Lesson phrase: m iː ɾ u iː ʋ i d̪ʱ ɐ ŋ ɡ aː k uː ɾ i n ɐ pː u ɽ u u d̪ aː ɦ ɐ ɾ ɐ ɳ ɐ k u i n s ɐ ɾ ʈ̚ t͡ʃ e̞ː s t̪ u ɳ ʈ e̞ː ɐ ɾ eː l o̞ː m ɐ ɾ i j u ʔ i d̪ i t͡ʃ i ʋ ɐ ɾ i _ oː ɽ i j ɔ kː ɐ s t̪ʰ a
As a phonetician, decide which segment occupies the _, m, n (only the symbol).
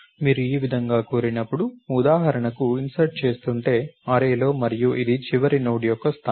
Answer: n